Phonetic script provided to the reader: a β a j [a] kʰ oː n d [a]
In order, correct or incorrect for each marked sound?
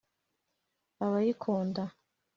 incorrect, correct

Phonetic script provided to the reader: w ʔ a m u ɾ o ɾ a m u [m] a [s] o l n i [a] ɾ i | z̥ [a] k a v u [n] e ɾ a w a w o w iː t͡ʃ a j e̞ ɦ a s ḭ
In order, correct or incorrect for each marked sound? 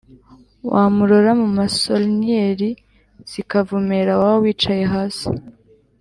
correct, correct, incorrect, incorrect, incorrect

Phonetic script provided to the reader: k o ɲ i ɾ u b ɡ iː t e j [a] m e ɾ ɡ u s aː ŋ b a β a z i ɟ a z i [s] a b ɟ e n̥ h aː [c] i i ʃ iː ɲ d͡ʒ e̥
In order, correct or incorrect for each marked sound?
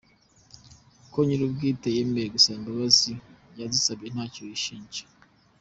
incorrect, correct, correct

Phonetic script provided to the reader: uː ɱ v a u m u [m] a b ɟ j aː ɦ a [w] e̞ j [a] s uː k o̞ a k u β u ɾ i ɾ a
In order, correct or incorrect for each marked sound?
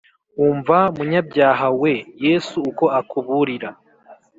incorrect, correct, incorrect

